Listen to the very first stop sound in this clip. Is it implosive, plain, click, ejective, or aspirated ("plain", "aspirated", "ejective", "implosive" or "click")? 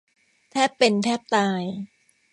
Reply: aspirated